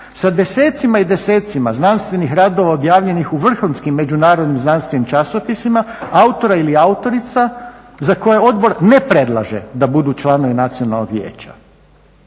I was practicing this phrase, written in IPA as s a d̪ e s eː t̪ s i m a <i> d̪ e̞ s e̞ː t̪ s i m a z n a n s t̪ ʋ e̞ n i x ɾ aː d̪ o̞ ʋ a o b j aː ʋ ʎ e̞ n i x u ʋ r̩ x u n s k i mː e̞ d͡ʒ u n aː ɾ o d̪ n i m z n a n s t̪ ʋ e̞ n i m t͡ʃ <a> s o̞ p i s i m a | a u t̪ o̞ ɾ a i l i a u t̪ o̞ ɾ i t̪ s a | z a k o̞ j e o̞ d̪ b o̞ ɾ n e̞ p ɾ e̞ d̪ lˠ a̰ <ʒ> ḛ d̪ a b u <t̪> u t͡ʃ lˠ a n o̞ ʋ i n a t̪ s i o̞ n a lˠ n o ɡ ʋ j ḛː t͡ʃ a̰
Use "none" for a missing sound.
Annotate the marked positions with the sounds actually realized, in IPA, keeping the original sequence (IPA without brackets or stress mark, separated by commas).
i, a, ʒ, d̪